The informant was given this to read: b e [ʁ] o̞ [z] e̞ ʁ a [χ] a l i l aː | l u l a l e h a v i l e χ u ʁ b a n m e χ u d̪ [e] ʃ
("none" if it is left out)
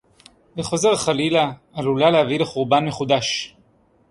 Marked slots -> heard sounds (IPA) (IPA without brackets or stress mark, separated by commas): χ, z, χ, a